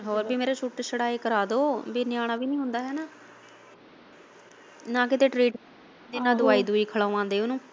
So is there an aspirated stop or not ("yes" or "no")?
yes